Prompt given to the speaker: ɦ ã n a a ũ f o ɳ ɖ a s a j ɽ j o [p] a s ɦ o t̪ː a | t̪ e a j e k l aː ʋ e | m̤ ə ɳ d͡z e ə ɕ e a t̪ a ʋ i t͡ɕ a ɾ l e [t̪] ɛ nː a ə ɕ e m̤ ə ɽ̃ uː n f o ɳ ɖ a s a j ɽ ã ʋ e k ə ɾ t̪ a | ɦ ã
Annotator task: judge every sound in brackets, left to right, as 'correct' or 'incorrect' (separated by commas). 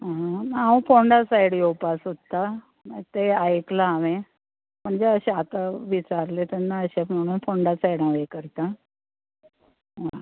correct, correct